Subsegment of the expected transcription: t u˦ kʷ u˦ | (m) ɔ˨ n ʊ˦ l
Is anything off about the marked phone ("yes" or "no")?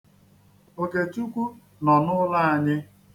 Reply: yes